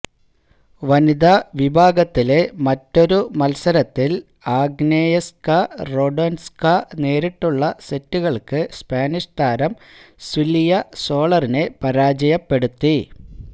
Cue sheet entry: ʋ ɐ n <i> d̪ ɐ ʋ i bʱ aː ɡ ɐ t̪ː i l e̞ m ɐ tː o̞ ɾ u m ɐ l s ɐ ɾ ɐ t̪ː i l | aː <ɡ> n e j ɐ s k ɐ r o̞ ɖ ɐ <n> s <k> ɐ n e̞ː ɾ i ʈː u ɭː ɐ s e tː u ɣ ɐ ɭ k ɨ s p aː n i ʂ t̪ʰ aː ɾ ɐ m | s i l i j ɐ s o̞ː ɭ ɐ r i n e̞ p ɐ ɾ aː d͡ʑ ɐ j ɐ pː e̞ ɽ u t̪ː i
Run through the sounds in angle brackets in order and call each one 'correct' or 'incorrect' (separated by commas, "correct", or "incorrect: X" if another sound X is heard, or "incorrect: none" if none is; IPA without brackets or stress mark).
correct, correct, correct, correct